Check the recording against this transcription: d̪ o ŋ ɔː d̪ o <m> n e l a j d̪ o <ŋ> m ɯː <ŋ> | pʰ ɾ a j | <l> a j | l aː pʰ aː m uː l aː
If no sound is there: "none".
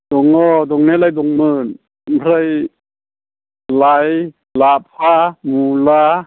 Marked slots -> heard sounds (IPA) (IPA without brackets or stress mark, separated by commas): ŋ, ŋ, n, l